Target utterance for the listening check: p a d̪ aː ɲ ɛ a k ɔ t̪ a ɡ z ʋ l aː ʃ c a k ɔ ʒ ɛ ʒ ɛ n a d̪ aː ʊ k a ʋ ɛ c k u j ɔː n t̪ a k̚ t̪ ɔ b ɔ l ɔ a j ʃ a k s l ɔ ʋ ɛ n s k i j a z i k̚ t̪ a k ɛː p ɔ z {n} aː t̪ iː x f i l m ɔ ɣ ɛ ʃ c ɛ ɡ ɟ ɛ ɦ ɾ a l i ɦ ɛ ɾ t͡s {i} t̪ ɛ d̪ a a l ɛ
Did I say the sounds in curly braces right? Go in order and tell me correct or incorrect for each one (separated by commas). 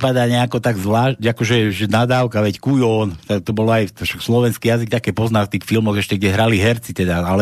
correct, correct